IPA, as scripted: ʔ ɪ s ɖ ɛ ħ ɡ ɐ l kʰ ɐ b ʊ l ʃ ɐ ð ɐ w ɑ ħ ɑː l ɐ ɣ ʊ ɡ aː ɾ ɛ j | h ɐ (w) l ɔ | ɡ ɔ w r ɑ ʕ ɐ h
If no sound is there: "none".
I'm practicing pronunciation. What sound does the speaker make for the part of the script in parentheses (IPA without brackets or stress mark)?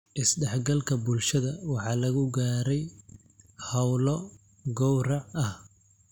w